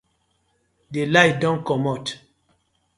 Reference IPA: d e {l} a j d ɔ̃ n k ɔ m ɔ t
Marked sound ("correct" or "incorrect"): correct